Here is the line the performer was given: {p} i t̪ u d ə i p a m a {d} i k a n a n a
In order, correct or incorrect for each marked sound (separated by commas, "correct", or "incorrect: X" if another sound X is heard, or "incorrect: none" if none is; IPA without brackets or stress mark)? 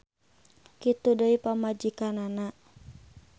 incorrect: k, incorrect: d͡ʒ